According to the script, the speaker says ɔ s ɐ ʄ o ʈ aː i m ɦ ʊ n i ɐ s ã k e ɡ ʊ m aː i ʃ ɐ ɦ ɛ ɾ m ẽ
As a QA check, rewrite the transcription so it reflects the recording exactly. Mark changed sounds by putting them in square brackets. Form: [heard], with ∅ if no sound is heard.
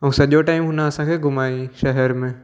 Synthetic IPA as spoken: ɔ s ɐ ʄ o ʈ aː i m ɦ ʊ n [a] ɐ s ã k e ɡ ʊ m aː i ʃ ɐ ɦ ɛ ɾ m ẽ